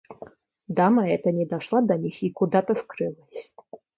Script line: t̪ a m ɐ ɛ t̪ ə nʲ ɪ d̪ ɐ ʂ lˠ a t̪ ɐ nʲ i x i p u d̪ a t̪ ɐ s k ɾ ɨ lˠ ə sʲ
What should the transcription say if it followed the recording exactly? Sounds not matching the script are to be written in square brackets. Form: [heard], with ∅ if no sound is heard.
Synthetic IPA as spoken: [d̪] a m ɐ ɛ t̪ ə nʲ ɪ d̪ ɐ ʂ lˠ a [d̪] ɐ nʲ i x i [k] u d̪ a t̪ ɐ s k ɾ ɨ lˠ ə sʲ

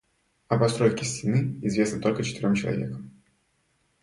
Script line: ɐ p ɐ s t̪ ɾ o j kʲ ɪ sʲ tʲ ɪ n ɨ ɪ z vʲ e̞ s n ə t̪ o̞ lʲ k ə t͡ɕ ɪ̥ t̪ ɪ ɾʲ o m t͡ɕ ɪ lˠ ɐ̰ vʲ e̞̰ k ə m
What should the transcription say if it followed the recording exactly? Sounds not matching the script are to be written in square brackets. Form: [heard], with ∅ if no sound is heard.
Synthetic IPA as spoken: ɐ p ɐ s t̪ ɾ o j kʲ ɪ sʲ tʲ ɪ n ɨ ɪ z vʲ e̞ s n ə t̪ o̞ lʲ k ə t͡ɕ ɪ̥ t̪ ɪ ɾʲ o m t͡ɕ ɪ lˠ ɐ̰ vʲ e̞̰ k ə m

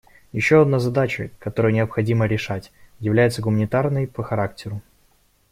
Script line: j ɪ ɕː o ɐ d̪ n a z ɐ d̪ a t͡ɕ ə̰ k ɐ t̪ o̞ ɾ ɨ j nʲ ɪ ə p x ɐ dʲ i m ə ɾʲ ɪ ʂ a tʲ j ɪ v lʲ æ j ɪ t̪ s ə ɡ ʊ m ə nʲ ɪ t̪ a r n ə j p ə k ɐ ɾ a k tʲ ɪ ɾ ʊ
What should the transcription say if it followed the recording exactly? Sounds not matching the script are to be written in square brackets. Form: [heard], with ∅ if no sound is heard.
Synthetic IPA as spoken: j ɪ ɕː o ɐ d̪ n a z ɐ d̪ a t͡ɕ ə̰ k ɐ t̪ o̞ ɾ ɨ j nʲ ɪ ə p x ɐ dʲ i m ə ɾʲ ɪ ʂ a tʲ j ɪ v lʲ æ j ɪ t̪ s ə ɡ ʊ m ə nʲ ɪ t̪ a r n ə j p ə [x] ɐ ɾ a k tʲ ɪ ɾ ʊ

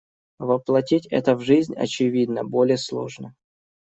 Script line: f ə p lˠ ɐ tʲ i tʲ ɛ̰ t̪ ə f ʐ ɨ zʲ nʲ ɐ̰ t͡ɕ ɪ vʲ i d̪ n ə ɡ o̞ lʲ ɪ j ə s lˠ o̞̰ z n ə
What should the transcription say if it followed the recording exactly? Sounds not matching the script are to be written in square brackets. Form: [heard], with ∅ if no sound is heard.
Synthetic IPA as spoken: [v] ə p lˠ ɐ tʲ i tʲ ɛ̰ t̪ ə [v] ʐ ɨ zʲ nʲ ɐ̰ t͡ɕ ɪ vʲ i d̪ n ə [b] o̞ lʲ ɪ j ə s lˠ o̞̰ [ʐ] n ə

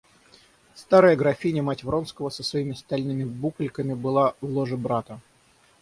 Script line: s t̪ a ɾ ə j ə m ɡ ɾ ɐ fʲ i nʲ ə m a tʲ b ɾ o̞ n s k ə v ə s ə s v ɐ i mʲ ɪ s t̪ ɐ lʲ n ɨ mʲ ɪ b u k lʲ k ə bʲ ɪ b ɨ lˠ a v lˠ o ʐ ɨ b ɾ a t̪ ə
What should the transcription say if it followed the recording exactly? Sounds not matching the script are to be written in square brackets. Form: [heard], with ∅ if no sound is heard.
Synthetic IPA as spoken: s t̪ a ɾ ə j ə [∅] ɡ ɾ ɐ fʲ i nʲ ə m a tʲ [v] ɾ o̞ n s k ə v ə s ə s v ɐ i mʲ ɪ s t̪ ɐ lʲ n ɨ mʲ ɪ b u k lʲ k ə [mʲ] ɪ b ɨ lˠ a v lˠ o ʐ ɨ b ɾ a t̪ ə

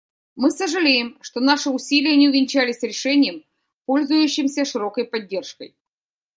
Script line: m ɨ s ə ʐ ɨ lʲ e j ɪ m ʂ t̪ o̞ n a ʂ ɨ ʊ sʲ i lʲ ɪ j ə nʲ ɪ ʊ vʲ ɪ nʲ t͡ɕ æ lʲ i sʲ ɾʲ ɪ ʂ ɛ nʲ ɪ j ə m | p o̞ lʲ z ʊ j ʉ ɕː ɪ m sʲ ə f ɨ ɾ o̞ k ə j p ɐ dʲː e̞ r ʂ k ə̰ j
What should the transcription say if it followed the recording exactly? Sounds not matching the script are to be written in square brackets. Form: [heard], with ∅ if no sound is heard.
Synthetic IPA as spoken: m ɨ s ə ʐ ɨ lʲ e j ɪ m ʂ t̪ o̞ n a ʂ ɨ ʊ sʲ i lʲ ɪ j ə nʲ ɪ ʊ vʲ ɪ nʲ t͡ɕ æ lʲ [ɪ] sʲ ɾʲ ɪ ʂ ɛ nʲ ɪ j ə m | p o̞ lʲ z ʊ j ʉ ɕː ɪ m sʲ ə [ʂ] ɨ ɾ o̞ k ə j p ɐ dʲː e̞ r ʂ k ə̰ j

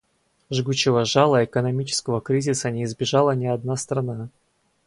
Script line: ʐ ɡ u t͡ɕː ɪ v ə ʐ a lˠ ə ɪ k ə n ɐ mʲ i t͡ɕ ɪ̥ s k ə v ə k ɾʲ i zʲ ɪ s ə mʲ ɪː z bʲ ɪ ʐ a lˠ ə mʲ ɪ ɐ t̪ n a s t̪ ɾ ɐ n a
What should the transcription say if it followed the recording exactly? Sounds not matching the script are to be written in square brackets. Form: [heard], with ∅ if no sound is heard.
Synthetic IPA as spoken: ʐ ɡ u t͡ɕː ɪ v ə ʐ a lˠ ə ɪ k ə n ɐ mʲ i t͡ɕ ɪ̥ s k ə v ə k ɾʲ i zʲ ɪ s ə [nʲ] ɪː z bʲ ɪ ʐ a lˠ ə [nʲ] ɪ ɐ [d̪] n a s t̪ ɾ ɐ n a

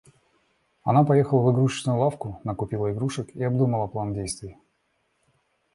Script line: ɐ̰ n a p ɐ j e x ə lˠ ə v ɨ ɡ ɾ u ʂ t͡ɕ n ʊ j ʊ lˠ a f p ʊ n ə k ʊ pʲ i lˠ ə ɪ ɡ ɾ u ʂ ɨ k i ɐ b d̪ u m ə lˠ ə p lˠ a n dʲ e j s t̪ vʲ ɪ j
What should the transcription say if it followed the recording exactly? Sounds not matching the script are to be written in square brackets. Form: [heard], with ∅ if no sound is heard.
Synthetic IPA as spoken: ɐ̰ n a p ɐ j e x ə lˠ ə v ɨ ɡ ɾ u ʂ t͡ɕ n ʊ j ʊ lˠ a f [k] ʊ n ə k ʊ pʲ i lˠ ə ɪ ɡ ɾ u ʂ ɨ k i ɐ b d̪ u m ə lˠ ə p lˠ a n dʲ e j s t̪ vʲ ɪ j

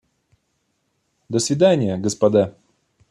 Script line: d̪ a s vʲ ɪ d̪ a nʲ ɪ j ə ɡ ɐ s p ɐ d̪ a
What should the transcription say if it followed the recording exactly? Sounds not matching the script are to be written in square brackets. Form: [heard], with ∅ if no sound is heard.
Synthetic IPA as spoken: d̪ [ə] s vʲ ɪ d̪ a nʲ ɪ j ə ɡ [ə] s p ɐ d̪ a

